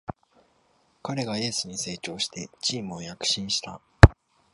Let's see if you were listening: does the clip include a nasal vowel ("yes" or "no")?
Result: yes